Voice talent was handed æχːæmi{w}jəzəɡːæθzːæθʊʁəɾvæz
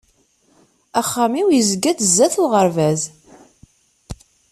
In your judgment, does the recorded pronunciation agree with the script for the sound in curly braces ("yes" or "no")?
yes